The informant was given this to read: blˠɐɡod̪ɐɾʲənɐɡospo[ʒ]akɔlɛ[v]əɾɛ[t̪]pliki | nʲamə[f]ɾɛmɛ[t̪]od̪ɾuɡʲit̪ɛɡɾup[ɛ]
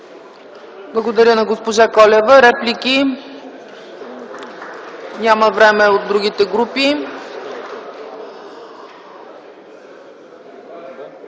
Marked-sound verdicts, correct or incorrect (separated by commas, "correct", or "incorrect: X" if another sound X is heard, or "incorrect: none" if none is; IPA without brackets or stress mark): correct, correct, incorrect: none, incorrect: v, incorrect: none, incorrect: i